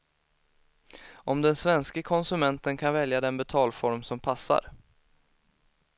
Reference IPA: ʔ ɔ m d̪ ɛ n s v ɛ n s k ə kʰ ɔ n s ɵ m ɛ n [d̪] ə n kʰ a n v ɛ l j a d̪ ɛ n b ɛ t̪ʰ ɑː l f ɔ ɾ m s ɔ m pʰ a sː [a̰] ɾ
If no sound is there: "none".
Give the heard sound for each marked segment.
t̪, a̰

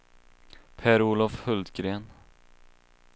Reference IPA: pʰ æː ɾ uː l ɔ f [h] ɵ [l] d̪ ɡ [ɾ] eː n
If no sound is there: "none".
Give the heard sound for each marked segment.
h, l, ɾ

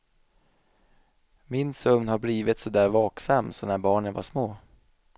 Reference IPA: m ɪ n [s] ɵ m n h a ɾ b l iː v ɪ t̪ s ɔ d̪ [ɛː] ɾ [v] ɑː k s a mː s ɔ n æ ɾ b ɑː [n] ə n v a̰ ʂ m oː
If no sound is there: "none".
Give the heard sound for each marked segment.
s, æː, v, ɳ

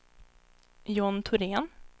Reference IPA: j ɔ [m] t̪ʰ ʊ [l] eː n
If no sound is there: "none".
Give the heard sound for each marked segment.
n, ɾ

